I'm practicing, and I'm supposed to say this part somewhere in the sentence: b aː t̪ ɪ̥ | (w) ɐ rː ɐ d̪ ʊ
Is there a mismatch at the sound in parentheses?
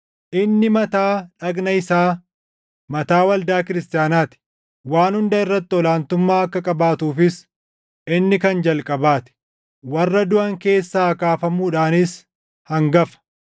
no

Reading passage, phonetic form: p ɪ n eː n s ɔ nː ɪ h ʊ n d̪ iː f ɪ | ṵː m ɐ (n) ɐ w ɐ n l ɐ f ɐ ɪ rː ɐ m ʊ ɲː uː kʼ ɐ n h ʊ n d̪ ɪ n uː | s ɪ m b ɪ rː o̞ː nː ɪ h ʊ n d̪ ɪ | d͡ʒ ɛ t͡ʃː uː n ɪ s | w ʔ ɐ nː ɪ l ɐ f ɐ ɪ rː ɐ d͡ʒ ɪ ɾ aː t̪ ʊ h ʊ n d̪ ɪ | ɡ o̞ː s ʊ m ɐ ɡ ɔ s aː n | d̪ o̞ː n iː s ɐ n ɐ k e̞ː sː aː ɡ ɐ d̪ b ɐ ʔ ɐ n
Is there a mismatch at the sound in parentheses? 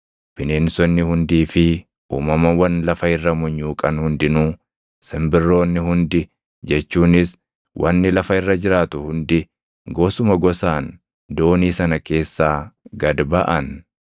yes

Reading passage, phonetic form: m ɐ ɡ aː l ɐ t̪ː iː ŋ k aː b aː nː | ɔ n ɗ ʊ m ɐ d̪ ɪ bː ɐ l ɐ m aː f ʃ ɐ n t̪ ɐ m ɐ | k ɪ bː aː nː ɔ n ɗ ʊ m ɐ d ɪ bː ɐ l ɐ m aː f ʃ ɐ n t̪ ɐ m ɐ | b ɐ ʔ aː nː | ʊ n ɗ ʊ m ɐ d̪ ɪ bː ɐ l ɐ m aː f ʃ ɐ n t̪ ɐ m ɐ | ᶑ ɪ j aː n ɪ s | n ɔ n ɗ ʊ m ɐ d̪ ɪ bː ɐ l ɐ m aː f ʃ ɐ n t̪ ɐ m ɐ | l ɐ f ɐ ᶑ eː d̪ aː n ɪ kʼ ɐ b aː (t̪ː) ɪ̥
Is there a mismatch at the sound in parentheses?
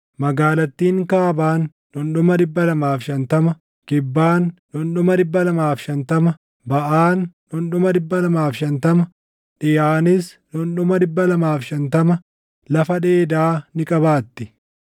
no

